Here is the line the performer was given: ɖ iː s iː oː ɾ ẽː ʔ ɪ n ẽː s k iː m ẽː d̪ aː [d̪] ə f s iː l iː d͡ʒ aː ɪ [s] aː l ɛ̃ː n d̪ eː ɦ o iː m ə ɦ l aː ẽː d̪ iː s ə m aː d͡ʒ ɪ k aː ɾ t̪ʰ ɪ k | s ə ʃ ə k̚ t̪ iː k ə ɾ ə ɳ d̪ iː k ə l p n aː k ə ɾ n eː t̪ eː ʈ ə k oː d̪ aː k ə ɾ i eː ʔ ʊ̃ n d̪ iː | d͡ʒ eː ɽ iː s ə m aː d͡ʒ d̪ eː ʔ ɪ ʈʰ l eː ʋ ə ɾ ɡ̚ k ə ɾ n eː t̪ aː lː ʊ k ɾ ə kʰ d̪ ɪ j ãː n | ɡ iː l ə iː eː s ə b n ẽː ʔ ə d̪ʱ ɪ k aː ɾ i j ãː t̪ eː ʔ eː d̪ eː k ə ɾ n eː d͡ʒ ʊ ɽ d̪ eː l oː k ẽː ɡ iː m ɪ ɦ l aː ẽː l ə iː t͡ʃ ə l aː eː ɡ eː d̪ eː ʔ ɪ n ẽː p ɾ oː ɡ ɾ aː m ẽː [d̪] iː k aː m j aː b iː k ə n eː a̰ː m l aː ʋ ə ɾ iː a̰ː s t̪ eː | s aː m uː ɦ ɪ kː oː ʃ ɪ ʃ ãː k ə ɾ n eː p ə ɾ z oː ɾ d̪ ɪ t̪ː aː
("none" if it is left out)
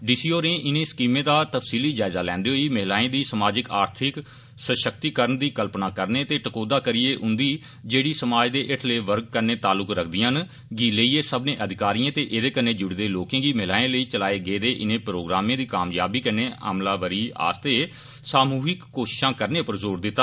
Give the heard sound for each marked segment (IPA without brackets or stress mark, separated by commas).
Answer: t̪, z, d̪